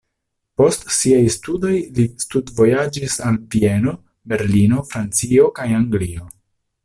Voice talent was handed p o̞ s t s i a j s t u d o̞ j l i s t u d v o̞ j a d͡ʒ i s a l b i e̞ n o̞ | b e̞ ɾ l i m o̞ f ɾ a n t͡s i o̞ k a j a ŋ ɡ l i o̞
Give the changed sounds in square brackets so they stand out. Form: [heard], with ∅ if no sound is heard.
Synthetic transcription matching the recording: p o̞ s t s i a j s t u d o̞ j l i s t u d v o̞ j a d͡ʒ i s a l [v] i e̞ n o̞ | b e̞ ɾ l i [n] o̞ f ɾ a n t͡s i o̞ k a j a ŋ ɡ l i o̞